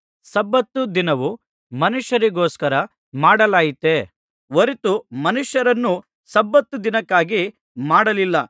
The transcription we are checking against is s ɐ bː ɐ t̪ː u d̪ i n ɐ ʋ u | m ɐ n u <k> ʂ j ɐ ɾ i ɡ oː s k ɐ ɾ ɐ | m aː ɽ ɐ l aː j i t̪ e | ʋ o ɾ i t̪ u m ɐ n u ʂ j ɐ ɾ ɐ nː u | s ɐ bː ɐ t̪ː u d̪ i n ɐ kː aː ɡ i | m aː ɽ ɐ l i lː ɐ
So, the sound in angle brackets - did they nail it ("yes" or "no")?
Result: no